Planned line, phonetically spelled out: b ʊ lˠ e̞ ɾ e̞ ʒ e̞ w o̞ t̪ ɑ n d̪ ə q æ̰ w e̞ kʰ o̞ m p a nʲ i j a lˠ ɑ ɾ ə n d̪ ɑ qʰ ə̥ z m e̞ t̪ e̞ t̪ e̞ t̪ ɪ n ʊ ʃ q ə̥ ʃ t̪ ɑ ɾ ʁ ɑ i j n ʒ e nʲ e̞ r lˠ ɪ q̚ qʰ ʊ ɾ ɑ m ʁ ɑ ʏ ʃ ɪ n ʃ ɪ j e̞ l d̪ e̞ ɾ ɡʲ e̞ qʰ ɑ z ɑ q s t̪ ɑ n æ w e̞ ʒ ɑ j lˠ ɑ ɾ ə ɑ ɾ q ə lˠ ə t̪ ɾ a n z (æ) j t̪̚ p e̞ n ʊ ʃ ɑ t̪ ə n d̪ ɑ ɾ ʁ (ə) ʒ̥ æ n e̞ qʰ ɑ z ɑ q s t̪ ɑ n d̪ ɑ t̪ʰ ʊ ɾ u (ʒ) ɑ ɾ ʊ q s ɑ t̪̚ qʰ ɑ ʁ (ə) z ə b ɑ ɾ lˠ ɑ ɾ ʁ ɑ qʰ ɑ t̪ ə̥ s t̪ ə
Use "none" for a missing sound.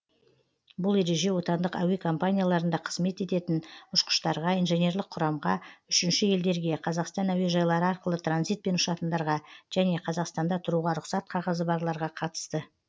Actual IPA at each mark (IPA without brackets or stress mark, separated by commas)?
i, ɑ, ʁ, ɑ